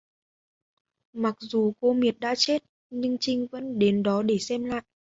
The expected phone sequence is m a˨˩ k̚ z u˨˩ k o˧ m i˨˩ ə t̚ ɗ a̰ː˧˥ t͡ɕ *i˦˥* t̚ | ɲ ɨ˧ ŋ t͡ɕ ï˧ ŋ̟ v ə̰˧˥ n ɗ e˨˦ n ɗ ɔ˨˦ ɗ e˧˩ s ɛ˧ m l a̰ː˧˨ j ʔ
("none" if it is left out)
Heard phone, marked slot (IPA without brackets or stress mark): e˦˥